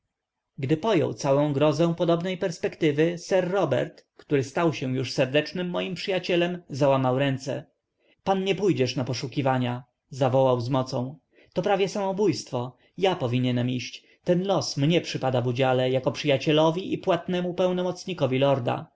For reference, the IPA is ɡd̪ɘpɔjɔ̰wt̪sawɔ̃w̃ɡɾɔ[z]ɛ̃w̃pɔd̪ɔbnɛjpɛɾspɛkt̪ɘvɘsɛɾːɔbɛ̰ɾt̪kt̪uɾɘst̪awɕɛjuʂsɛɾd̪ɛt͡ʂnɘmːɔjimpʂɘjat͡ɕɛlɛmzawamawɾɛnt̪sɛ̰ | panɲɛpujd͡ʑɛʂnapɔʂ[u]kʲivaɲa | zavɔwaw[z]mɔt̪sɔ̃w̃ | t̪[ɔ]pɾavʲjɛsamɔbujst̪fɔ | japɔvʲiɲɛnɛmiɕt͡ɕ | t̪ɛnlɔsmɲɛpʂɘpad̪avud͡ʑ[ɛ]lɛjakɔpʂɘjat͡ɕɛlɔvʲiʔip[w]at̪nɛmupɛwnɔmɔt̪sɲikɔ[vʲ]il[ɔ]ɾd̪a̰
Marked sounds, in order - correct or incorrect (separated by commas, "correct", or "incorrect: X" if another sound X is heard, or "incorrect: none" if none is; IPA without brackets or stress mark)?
correct, correct, correct, correct, incorrect: a, correct, correct, correct